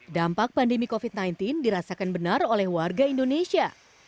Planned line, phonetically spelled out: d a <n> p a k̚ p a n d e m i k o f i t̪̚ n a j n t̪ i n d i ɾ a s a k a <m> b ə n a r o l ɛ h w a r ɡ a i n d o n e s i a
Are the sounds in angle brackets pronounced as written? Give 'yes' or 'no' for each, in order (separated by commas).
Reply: no, no